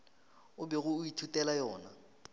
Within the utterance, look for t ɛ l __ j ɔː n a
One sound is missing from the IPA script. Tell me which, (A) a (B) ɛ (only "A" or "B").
A